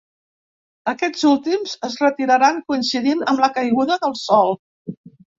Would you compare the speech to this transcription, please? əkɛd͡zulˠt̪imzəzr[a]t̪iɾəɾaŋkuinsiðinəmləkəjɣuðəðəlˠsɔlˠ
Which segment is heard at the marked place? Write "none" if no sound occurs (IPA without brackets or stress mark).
ə